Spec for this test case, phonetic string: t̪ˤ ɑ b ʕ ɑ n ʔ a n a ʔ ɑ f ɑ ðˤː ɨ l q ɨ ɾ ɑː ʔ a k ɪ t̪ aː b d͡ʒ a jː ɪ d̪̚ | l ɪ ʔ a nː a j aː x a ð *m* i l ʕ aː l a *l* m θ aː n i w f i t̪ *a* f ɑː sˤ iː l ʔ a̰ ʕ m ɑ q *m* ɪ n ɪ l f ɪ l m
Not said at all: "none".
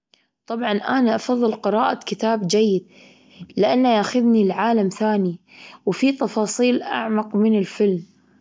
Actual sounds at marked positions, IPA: n, none, ɑ, m

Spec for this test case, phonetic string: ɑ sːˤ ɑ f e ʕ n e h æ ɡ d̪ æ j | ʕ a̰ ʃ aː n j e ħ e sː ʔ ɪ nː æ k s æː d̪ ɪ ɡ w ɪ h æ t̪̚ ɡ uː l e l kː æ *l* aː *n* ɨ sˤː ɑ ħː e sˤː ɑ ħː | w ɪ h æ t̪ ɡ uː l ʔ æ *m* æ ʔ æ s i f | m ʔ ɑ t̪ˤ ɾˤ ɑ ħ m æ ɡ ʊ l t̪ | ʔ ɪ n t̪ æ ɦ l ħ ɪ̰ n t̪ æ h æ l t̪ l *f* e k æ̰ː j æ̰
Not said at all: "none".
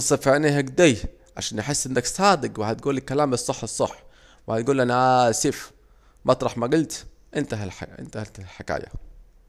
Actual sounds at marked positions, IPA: l, m, n, ħ

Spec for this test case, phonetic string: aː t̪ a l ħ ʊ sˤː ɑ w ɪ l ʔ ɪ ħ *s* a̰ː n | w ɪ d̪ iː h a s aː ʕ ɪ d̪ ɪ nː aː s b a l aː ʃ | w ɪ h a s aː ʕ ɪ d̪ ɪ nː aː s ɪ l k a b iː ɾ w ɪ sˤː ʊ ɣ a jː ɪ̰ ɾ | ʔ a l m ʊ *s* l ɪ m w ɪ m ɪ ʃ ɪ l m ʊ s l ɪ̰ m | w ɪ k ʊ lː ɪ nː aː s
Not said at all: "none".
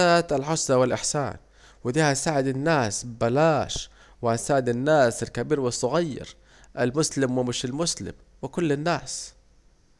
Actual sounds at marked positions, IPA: s, s

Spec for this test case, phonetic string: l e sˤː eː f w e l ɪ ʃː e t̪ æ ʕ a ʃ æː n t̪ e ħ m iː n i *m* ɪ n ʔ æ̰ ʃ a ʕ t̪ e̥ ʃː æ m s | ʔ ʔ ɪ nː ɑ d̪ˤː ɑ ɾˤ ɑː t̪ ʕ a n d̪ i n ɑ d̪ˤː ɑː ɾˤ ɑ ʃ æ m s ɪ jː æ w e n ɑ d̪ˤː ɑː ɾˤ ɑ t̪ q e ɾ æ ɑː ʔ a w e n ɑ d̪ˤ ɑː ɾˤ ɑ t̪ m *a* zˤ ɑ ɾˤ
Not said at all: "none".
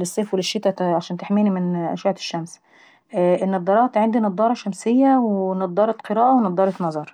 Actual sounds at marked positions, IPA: m, ɑ

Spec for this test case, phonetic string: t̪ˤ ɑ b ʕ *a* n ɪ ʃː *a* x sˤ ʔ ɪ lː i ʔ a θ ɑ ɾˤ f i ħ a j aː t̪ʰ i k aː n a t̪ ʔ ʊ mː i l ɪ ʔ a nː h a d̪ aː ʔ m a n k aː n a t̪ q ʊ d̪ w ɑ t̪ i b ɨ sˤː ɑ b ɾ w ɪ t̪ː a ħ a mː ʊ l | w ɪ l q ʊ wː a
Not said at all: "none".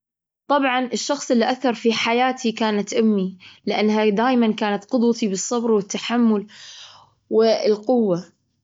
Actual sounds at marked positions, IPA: ɑ, ɑ

